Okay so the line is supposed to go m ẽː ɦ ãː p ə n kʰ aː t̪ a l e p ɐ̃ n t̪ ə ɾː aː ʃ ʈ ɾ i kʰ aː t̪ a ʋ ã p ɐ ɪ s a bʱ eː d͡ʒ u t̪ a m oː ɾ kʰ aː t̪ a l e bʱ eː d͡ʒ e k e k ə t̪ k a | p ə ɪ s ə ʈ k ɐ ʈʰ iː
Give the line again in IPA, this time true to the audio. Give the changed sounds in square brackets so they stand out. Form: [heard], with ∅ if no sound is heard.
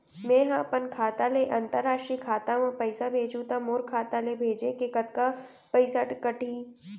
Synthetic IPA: m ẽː ɦ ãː p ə n kʰ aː t̪ a l e [ʔ] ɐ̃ n t̪ ə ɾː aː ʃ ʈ ɾ i kʰ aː t̪ a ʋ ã p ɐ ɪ s a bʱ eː d͡ʒ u t̪ a m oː ɾ kʰ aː t̪ a l e bʱ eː d͡ʒ e k e k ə t̪ k a | p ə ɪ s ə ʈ k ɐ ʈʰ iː